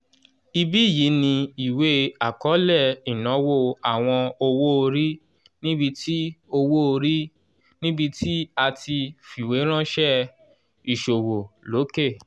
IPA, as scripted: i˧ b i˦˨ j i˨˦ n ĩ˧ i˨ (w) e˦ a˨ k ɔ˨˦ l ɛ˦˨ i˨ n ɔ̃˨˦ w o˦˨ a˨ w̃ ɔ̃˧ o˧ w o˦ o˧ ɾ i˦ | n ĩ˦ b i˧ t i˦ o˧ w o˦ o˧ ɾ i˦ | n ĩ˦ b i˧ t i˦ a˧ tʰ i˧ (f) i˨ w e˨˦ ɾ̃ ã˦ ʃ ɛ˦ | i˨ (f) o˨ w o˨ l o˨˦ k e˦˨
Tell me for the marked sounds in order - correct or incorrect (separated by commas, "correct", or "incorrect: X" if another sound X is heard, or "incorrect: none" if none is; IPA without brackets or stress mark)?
correct, correct, incorrect: ʃ